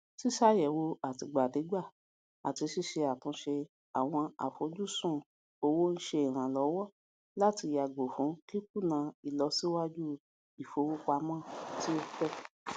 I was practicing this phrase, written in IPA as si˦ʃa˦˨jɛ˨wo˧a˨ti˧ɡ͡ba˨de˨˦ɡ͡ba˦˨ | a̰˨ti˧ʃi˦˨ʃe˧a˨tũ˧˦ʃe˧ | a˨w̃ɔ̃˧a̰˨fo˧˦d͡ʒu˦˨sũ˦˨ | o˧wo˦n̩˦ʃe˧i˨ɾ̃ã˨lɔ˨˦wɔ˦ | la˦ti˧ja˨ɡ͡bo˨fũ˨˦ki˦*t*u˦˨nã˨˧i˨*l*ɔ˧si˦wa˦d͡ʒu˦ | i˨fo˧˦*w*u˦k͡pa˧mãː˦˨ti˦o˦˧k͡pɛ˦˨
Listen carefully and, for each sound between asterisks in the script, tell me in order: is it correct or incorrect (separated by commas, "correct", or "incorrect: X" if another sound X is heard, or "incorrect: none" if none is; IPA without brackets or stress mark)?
incorrect: k, correct, correct